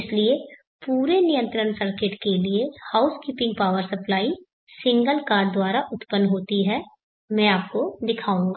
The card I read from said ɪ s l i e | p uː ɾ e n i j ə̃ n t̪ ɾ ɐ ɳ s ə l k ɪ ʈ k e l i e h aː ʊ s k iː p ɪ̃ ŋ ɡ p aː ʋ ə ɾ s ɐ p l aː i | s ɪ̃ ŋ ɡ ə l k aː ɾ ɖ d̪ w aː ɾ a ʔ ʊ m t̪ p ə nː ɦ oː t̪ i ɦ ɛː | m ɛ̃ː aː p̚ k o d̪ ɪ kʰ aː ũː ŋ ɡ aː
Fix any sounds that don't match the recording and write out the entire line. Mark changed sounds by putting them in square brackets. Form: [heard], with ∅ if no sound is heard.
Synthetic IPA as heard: ɪ s l i e | p uː ɾ e n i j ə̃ n t̪ ɾ [ə] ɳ s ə [ɾ] k ɪ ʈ k e l i e h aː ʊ s k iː p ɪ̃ ŋ ɡ p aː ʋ ə ɾ s ɐ p l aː i | s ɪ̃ ŋ ɡ ə l k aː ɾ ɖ d̪ w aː ɾ a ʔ ʊ [∅] t̪ p ə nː ɦ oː t̪ i ɦ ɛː | m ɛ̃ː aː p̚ k o d̪ ɪ kʰ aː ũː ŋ ɡ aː